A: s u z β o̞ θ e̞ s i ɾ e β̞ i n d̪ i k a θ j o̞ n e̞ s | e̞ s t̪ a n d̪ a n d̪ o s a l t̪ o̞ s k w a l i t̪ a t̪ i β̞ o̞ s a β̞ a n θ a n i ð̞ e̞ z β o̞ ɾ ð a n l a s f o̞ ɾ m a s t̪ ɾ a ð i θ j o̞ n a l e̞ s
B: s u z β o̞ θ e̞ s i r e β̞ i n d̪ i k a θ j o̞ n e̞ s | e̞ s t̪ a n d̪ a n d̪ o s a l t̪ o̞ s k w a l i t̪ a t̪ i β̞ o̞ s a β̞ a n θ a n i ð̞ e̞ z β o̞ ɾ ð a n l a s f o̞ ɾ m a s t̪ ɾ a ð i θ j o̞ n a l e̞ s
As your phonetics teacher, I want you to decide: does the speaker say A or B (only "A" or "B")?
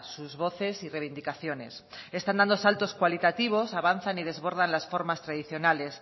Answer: B